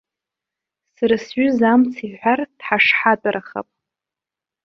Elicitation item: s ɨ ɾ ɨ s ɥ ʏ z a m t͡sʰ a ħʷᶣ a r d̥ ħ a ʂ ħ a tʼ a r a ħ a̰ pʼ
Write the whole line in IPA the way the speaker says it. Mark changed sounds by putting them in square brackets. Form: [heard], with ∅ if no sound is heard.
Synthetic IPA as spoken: s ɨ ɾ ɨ s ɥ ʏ z a m t͡sʰ [i] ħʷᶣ a r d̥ ħ a ʂ ħ a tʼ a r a [χ] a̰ pʼ